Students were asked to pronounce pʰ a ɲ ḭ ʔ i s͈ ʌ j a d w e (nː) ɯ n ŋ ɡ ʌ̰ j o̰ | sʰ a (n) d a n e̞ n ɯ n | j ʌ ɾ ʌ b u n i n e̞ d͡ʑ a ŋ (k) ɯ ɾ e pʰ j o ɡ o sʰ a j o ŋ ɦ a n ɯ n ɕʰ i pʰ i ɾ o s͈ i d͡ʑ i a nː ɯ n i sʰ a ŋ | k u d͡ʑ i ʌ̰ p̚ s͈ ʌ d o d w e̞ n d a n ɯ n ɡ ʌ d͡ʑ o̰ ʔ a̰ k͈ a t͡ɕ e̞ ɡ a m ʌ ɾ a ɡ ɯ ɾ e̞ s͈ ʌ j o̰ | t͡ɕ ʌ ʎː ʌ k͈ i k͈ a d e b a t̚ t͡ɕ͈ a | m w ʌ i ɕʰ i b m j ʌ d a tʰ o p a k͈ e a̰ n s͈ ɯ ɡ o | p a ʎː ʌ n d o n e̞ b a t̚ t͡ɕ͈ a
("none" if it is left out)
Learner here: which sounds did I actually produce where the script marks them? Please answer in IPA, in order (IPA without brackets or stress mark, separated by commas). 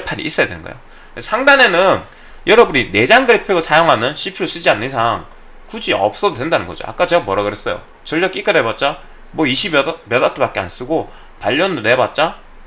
n, ŋ, ɡ